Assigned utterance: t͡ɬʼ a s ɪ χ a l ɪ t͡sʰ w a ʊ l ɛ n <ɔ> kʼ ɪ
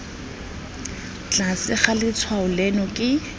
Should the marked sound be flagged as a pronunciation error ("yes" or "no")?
no